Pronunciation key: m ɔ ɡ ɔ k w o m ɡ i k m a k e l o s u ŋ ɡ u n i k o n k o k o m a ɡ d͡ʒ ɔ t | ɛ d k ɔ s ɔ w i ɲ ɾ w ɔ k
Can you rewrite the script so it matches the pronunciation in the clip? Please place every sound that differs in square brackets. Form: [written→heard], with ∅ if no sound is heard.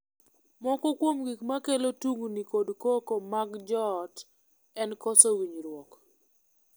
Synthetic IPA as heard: m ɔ [ɡ→k] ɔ k w o m ɡ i k m a k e l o [s→t] u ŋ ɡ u n i k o [n→d] k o k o m a ɡ d͡ʒ ɔ t | ɛ [d→n] k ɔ s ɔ w i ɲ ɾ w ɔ k